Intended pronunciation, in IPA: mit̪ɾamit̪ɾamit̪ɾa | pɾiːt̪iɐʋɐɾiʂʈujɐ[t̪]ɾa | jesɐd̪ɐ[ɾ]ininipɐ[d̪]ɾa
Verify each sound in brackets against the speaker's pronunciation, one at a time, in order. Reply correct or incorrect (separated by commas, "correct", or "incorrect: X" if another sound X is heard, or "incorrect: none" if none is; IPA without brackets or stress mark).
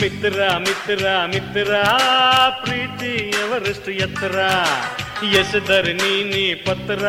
correct, correct, incorrect: t̪